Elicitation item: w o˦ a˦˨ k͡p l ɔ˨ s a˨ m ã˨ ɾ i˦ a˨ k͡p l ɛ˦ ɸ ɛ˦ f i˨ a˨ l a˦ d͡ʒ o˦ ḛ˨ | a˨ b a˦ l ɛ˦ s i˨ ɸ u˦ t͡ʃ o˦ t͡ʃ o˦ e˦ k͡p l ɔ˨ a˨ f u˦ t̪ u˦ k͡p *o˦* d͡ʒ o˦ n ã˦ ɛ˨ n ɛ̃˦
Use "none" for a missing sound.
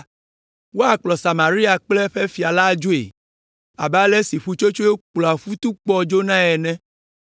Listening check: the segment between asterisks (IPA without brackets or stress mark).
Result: ɔ˦